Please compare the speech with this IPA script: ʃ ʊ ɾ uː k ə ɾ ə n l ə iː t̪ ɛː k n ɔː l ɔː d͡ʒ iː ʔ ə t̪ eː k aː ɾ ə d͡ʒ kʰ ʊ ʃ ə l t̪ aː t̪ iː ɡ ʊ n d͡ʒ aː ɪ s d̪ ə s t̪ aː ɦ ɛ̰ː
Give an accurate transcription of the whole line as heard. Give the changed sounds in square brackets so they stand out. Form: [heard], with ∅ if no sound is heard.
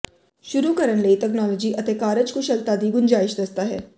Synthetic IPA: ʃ ʊ ɾ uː k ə ɾ ə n l ə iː t̪ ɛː k n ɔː l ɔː d͡ʒ iː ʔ ə t̪ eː k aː ɾ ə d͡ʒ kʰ ʊ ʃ ə l t̪ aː [d̪] iː ɡ ʊ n d͡ʒ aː ɪ [ʃ] d̪ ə s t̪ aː ɦ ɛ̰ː